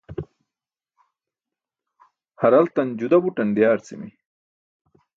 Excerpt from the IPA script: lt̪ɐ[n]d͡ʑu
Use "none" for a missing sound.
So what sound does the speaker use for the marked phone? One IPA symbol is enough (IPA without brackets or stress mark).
n